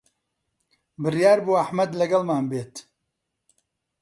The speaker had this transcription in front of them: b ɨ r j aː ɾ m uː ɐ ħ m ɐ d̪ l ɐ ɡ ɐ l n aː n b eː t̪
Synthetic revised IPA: b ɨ r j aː ɾ b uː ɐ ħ m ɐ d̪ l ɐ ɡ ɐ l m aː n b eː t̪